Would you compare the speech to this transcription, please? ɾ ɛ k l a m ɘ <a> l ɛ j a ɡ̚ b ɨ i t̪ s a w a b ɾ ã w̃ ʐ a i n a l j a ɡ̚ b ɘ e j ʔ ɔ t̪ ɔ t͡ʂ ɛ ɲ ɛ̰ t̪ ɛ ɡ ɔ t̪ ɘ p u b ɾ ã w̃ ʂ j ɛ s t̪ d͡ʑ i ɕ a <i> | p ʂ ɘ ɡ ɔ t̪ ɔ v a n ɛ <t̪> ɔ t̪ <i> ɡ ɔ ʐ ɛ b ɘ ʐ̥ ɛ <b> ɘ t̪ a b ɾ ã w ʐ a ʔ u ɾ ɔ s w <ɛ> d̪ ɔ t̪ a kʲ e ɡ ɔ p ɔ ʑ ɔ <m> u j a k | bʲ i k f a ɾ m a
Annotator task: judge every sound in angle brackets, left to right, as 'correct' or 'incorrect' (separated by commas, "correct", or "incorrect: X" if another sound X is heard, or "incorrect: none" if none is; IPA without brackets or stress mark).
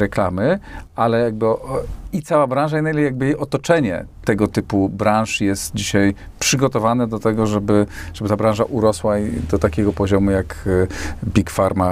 correct, incorrect: j, incorrect: d̪, incorrect: ɛ, correct, incorrect: a, correct